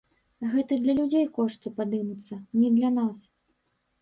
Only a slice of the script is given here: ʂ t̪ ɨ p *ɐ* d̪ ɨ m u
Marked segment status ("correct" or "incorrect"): incorrect